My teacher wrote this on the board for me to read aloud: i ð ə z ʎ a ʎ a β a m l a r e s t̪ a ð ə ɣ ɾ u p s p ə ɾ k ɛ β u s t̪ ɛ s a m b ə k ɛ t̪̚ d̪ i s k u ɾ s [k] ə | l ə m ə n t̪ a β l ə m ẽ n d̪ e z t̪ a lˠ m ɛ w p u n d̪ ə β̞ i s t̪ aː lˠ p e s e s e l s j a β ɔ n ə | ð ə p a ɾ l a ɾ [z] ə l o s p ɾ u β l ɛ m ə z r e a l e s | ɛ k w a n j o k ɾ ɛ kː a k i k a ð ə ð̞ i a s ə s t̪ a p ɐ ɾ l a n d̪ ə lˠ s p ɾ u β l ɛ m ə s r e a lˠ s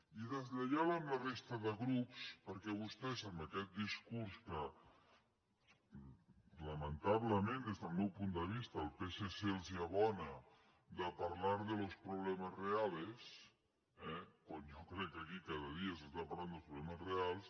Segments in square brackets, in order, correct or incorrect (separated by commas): correct, incorrect